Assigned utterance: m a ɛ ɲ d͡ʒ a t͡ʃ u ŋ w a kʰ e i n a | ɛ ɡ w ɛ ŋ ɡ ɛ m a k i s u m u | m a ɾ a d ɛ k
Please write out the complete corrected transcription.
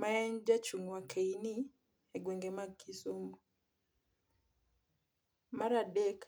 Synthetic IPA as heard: m a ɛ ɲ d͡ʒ a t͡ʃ u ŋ w a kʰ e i n i | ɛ ɡ w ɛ ŋ ɡ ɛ m a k i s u m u | m a ɾ a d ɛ k